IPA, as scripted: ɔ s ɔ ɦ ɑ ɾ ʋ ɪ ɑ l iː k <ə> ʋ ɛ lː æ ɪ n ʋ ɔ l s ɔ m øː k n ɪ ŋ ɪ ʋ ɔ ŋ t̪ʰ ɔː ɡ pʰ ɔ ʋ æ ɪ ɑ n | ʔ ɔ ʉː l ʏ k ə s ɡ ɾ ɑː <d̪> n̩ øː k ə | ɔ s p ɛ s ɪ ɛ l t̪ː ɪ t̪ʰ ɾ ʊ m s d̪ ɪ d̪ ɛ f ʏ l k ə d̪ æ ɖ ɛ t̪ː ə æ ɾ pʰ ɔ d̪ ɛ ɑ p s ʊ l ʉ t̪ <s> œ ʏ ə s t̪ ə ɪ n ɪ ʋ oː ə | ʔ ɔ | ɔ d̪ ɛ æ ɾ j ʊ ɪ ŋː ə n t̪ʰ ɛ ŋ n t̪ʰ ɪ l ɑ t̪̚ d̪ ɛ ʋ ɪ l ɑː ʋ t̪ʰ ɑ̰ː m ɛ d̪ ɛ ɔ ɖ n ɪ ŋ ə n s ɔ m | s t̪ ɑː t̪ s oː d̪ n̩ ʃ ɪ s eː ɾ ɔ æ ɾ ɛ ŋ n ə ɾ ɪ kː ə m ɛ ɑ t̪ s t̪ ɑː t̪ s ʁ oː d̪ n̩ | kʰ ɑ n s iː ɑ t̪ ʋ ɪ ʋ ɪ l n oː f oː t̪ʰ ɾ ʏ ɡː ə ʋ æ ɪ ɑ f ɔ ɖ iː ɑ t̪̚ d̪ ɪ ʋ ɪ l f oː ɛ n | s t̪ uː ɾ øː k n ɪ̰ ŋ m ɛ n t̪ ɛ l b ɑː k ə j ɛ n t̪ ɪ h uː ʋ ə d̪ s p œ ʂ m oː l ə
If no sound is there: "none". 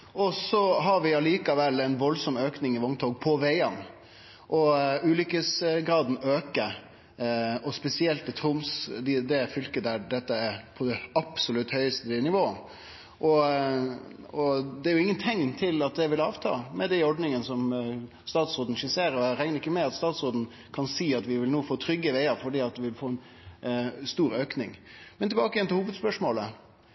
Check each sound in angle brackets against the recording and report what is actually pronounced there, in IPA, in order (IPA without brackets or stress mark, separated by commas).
ɑ, d̪, h